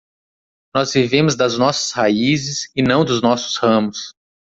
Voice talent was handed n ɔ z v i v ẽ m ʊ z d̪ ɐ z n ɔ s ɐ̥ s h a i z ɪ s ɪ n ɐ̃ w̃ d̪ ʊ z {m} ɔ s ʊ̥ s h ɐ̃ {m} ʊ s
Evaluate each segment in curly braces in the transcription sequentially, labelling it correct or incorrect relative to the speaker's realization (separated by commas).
incorrect, correct